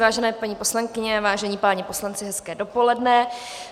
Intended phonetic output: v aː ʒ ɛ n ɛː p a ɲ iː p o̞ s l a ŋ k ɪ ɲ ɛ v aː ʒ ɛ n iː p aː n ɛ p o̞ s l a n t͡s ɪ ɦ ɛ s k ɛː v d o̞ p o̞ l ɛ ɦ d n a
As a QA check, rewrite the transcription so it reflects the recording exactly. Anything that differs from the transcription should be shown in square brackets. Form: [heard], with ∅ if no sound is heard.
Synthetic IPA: v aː ʒ ɛ n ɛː p a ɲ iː p o̞ s l a ŋ k ɪ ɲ ɛ v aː ʒ ɛ [ɲ] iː p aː [ɲ] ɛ p o̞ s l a n t͡s ɪ ɦ ɛ s k ɛː [∅] d o̞ p o̞ l ɛ [∅] d n [ɛ]